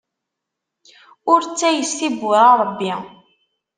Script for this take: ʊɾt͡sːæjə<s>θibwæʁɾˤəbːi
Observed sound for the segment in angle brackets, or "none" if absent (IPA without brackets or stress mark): s